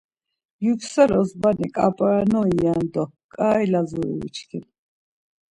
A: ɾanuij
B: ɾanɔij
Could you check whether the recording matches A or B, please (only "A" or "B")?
B